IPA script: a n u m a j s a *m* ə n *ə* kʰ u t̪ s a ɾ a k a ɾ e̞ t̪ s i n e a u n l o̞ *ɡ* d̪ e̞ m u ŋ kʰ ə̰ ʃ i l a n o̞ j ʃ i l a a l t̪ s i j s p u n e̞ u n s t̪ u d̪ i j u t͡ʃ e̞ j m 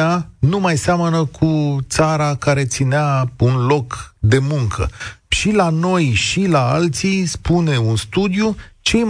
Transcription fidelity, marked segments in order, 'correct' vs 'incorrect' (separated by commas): correct, correct, incorrect